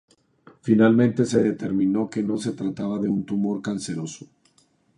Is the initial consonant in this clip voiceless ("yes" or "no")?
yes